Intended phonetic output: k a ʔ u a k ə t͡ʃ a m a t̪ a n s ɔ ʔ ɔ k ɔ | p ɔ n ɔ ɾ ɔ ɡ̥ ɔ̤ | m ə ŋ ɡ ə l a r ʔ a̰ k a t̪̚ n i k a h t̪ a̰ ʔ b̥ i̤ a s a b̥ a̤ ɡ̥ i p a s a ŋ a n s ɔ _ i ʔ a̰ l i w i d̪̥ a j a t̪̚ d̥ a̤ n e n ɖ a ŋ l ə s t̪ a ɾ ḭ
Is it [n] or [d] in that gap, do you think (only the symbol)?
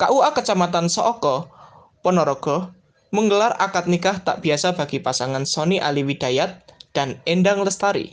n